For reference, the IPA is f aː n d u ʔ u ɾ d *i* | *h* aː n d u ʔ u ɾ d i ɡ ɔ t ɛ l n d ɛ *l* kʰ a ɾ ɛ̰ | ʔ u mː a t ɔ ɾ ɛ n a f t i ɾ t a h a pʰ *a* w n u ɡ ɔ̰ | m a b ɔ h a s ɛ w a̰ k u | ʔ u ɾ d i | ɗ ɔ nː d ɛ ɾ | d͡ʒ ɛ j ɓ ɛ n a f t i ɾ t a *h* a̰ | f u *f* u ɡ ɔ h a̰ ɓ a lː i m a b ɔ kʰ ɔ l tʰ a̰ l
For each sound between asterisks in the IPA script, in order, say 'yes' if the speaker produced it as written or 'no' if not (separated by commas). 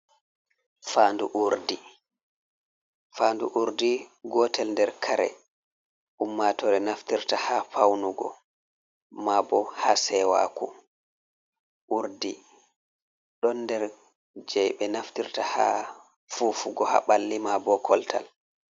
yes, no, no, yes, yes, yes